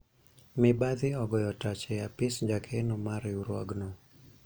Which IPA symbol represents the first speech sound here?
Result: m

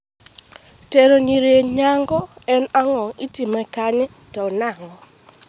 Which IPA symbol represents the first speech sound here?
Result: t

